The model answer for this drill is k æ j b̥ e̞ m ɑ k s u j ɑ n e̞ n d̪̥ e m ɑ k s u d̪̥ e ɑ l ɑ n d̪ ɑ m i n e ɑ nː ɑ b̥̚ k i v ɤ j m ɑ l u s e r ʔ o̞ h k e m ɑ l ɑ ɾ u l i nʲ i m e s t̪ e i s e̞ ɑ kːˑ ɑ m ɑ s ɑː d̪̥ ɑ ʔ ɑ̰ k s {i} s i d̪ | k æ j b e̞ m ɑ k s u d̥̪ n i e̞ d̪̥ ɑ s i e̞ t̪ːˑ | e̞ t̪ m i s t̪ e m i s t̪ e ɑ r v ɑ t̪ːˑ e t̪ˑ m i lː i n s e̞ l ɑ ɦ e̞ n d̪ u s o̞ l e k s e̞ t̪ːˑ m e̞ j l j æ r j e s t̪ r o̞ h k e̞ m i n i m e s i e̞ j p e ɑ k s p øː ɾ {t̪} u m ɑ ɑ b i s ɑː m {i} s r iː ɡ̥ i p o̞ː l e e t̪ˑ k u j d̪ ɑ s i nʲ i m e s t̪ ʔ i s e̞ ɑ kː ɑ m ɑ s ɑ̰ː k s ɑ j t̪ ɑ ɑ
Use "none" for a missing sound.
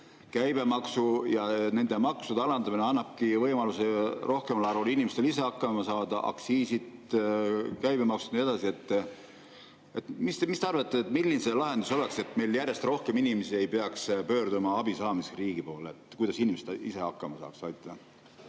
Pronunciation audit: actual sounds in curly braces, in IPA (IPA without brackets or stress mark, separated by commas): iː, d̪, i